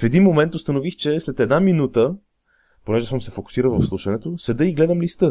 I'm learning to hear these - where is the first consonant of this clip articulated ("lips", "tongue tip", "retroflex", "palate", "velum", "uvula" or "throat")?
lips